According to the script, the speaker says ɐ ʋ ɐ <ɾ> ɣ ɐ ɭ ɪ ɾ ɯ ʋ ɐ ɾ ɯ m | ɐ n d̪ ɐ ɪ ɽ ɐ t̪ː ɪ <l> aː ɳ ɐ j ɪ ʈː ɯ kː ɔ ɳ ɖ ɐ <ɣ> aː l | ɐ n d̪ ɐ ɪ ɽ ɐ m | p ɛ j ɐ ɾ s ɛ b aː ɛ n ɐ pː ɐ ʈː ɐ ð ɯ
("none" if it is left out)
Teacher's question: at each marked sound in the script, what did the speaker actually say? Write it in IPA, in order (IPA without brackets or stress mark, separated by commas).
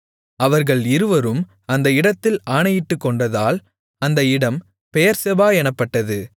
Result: ɾ, l, ð